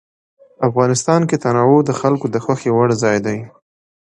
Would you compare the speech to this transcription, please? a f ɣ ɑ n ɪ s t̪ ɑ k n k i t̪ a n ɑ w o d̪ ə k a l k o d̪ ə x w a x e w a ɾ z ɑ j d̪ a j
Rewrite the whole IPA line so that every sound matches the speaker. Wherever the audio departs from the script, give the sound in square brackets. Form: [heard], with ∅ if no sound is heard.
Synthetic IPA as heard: a f ɣ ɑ n ɪ s t̪ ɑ [∅] n k [e] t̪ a n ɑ w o d̪ ə [x] a l k o d̪ ə x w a x e w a [ɽ] z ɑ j d̪ a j